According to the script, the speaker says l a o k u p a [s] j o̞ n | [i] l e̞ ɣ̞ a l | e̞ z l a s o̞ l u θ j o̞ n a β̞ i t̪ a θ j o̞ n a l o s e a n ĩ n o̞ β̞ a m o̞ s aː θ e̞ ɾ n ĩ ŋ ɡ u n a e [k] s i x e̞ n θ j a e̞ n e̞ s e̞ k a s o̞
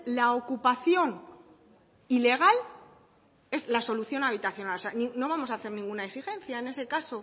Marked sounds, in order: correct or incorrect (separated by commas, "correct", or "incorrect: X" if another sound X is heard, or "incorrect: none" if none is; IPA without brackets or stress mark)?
incorrect: θ, correct, correct